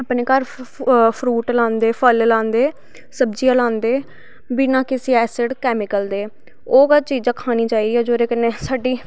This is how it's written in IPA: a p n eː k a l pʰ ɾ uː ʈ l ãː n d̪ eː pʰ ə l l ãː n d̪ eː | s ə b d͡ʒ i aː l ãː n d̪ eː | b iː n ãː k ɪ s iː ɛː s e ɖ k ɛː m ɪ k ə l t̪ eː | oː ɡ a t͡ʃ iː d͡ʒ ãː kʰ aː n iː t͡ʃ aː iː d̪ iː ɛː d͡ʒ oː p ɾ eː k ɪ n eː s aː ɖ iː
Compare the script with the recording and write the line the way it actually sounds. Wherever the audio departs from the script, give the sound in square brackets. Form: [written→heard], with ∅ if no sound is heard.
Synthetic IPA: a p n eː k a [l→ɾ] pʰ ɾ uː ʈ l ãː n d̪ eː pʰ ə l l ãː n d̪ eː | s ə b d͡ʒ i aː l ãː n d̪ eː | b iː n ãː k ɪ s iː ɛː s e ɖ k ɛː m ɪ k ə l [t̪→d̪] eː | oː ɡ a t͡ʃ iː d͡ʒ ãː kʰ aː n iː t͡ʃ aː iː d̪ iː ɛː d͡ʒ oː [p→∅] ɾ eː k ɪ n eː s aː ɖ iː